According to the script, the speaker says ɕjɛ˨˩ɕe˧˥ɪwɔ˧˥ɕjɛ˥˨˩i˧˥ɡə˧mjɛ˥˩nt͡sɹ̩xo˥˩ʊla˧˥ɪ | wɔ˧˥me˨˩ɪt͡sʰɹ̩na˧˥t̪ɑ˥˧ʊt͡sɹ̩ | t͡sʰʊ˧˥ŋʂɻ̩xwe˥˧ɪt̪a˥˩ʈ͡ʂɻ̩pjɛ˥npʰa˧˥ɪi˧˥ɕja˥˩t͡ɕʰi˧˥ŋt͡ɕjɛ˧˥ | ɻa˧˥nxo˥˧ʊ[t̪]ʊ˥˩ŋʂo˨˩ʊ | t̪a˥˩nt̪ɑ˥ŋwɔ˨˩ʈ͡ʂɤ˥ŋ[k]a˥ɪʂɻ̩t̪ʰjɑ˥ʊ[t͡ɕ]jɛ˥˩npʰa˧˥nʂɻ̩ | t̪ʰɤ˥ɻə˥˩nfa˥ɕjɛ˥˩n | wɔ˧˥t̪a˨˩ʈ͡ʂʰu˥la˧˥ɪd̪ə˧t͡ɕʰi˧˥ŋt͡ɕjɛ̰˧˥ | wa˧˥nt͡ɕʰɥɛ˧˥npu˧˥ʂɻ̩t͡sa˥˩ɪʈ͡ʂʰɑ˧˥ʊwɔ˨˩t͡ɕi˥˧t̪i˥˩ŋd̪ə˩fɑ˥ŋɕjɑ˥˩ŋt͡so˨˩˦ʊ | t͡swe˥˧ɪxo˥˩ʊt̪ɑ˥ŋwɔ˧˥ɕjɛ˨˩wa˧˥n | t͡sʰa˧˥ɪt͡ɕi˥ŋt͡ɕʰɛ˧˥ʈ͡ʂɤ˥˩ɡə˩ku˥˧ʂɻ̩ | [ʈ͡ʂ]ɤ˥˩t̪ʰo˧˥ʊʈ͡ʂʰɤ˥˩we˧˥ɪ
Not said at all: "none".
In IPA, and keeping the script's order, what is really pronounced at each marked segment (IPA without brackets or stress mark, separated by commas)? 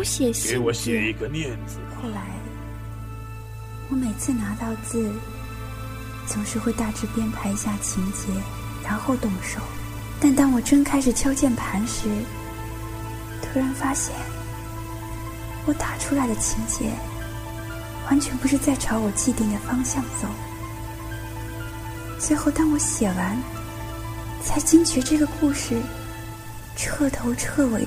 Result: t̪, kʰ, t͡ɕ, ʈ͡ʂʰ